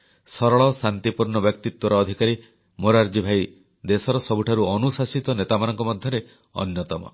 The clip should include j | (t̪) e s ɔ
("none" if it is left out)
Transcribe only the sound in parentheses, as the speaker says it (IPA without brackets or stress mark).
d̪